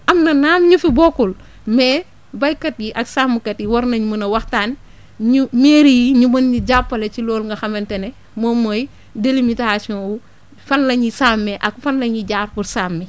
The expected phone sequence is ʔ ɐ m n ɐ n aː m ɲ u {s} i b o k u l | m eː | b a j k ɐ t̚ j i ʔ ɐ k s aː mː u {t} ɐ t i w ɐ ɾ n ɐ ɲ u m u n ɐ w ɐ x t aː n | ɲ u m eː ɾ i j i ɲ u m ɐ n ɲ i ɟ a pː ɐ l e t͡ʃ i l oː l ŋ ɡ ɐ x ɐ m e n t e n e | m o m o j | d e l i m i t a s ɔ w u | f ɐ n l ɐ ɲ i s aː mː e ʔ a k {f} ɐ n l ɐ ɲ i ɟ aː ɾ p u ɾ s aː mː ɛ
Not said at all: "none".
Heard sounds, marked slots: f, k, f

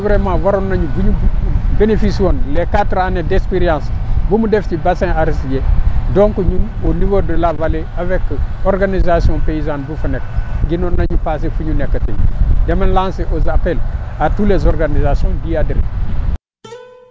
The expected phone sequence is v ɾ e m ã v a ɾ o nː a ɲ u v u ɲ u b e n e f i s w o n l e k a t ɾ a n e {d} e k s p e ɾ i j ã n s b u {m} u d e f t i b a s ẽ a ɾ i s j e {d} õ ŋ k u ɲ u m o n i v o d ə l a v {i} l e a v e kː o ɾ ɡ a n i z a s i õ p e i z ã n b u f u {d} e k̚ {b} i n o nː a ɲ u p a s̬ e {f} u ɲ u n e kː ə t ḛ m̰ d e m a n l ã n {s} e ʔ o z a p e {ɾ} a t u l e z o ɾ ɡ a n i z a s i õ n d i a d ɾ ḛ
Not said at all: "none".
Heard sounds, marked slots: d, m, d, a, n, ɡ, f, s, l

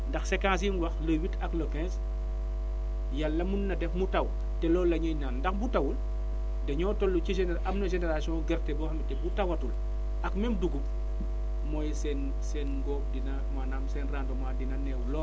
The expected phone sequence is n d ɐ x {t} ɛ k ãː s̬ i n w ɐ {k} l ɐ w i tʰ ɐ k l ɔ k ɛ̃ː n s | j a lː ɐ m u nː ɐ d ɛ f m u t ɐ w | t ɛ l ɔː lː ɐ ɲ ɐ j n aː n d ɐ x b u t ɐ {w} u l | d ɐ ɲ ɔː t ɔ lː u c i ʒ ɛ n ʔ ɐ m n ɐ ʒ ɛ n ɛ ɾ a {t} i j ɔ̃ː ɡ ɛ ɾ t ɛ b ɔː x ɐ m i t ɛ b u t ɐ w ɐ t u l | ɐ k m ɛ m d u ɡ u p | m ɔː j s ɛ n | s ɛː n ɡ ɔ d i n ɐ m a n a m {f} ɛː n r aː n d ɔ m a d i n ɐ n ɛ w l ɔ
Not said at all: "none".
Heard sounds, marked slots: s, x, w, s, s

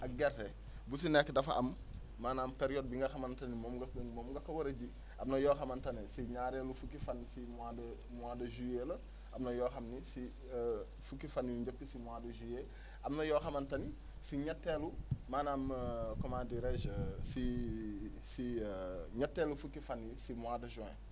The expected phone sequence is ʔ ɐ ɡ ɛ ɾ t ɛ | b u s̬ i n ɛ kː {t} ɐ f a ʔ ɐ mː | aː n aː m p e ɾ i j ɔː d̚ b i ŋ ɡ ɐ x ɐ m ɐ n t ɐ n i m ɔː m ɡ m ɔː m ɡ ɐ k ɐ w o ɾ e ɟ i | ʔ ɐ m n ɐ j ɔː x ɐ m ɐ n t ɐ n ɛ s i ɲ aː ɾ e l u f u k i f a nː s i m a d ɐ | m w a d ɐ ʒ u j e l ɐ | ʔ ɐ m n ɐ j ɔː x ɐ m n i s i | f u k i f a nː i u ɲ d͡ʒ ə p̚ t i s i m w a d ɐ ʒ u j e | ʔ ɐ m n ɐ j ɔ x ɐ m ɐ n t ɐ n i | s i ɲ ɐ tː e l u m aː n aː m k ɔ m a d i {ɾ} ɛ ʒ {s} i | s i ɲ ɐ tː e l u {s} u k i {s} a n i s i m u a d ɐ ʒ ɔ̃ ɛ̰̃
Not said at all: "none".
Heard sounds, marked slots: d, ɾ, s, f, f

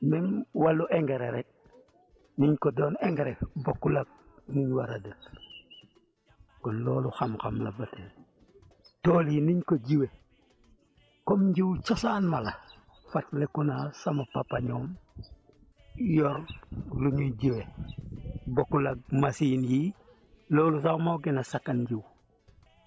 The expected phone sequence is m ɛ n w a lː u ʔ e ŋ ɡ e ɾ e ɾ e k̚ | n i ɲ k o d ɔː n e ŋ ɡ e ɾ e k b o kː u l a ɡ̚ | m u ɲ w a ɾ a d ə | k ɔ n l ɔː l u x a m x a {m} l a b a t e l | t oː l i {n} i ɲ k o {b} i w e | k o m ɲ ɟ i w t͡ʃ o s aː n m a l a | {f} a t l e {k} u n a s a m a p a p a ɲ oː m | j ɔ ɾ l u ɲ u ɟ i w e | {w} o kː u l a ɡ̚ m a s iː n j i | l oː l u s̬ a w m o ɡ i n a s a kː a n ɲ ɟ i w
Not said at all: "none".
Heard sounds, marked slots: m, n, ɟ, f, k, b

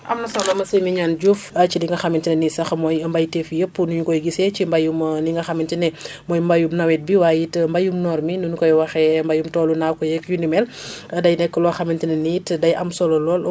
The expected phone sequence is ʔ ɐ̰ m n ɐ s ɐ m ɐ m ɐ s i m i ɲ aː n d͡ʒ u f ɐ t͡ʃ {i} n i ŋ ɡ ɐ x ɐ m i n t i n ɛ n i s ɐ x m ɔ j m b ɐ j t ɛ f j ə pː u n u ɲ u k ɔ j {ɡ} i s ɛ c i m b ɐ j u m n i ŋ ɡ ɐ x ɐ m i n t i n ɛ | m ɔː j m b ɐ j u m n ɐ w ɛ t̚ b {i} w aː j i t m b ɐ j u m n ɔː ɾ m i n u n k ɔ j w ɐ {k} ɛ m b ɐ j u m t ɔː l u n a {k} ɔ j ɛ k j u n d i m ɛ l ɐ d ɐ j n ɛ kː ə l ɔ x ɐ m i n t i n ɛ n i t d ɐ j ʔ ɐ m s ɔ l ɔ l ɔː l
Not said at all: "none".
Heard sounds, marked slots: i, ɡ, i, x, k

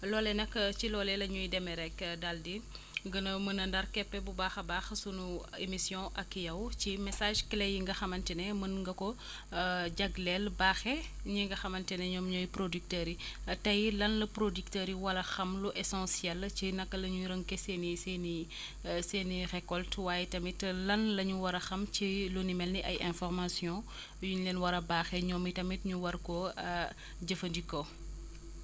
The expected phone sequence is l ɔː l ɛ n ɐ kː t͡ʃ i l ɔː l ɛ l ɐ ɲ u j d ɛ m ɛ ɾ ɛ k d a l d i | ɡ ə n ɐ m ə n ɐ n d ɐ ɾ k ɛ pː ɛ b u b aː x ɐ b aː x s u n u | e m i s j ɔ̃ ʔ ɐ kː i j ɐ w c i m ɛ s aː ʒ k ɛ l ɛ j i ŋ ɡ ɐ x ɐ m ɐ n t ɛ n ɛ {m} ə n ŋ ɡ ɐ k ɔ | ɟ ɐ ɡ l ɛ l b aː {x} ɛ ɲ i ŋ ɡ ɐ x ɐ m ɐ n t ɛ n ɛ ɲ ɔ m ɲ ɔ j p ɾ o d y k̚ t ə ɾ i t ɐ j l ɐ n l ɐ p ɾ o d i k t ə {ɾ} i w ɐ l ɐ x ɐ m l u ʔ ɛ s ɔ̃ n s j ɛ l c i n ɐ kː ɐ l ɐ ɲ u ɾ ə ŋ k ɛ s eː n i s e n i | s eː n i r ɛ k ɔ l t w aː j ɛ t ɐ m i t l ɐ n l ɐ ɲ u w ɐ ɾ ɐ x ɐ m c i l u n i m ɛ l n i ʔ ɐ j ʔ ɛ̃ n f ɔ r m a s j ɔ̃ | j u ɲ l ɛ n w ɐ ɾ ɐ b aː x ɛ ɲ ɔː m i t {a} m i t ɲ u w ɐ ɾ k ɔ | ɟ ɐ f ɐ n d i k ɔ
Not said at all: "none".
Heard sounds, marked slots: m, x, ɾ, ɐ

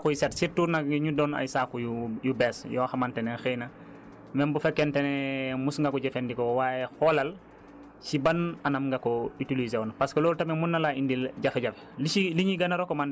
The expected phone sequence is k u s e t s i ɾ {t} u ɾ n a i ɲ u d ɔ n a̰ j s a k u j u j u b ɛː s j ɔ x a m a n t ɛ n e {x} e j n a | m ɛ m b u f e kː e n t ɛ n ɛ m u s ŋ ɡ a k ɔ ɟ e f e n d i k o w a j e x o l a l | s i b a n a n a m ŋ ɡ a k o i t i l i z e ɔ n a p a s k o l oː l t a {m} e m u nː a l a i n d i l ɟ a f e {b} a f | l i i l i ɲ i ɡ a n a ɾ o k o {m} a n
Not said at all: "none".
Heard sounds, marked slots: t, x, m, ɟ, m

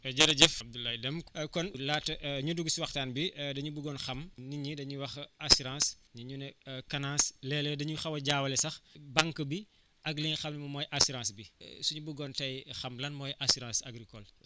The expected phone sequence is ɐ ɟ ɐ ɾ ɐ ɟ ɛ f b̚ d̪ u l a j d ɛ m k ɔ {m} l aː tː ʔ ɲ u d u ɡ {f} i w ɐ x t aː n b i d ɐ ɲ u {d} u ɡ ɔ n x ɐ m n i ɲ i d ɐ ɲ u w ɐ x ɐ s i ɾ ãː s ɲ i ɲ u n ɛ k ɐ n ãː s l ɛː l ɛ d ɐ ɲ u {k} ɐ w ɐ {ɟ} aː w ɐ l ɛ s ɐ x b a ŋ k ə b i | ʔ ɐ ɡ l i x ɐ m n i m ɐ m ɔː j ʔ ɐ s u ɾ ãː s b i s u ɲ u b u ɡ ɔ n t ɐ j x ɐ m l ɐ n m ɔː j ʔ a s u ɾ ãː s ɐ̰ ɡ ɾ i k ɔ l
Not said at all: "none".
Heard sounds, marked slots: n, s, b, x, ɟ

